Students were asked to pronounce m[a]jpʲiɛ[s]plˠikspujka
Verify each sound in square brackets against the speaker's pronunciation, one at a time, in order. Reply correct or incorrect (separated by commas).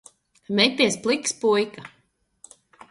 incorrect, correct